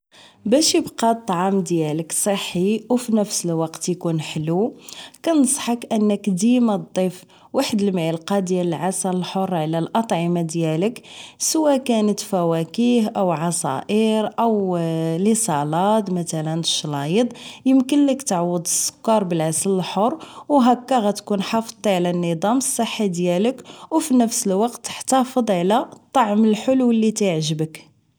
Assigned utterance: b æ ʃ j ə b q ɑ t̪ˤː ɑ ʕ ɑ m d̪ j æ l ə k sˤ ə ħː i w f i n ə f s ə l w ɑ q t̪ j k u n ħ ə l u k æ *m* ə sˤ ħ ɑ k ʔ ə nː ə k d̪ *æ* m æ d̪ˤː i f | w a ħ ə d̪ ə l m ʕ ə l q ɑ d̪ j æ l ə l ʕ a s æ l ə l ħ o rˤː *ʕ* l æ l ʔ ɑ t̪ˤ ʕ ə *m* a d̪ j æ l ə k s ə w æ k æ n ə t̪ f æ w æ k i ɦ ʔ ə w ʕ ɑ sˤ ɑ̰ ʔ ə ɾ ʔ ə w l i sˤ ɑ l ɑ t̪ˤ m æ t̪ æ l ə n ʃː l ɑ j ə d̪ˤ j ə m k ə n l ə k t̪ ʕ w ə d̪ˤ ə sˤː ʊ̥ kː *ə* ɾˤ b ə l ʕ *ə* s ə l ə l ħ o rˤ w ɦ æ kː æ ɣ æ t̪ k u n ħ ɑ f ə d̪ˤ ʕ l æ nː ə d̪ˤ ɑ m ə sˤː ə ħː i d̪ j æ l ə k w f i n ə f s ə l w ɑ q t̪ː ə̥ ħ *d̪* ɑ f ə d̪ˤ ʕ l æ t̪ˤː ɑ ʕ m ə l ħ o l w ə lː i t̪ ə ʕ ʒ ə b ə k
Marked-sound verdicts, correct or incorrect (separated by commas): incorrect, incorrect, correct, correct, incorrect, incorrect, incorrect